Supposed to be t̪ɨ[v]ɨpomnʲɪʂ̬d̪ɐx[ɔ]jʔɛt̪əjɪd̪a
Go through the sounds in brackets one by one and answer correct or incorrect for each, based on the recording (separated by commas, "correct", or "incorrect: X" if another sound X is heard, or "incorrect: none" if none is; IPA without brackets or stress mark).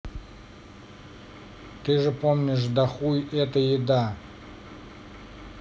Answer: incorrect: ʐ, incorrect: u